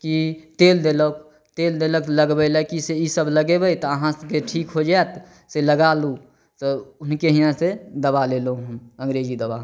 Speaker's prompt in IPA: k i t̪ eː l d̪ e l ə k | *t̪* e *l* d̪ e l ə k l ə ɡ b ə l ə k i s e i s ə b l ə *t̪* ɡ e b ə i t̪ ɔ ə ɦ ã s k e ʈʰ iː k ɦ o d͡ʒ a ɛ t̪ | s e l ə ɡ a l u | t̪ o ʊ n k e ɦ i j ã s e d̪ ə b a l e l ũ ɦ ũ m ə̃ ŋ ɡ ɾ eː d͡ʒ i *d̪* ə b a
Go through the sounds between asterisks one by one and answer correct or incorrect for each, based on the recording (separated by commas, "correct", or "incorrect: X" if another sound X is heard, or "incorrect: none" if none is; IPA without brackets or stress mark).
correct, correct, incorrect: none, correct